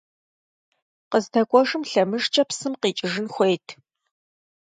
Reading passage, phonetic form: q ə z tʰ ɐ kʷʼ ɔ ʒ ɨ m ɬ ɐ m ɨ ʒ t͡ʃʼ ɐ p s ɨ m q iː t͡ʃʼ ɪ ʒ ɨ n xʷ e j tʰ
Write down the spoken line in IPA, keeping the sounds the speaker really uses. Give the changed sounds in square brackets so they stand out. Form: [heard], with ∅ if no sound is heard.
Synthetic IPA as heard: q ə z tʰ ɐ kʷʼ ɔ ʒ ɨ m ɬ ɐ m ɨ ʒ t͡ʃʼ ɐ p s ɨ m q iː t͡ʃʼ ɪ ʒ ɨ n xʷ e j tʰ